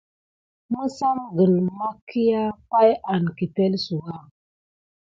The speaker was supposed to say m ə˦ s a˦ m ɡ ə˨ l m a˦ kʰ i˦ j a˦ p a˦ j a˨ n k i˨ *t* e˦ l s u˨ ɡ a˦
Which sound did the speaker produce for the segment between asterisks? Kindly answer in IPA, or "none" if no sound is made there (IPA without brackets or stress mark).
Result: t